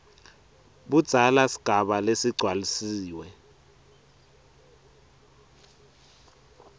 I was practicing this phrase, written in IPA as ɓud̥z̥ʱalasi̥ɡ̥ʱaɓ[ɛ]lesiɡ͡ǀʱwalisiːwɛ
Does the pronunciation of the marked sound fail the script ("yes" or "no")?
yes